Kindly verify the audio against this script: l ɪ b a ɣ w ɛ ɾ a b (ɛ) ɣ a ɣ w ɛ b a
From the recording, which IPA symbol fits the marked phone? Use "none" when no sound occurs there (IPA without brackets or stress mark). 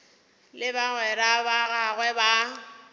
a